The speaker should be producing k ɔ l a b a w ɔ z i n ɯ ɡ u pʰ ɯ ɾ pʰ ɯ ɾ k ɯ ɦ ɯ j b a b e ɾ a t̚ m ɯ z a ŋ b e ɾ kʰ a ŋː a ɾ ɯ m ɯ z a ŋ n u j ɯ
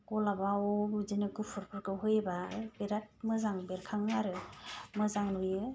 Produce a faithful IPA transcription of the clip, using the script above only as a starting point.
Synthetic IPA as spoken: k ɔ l a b a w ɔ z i n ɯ ɡ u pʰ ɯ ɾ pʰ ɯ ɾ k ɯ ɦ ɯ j b a b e ɾ a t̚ m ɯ z a ŋ b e ɾ kʰ a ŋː a ɾ ɯ m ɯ z a ŋ n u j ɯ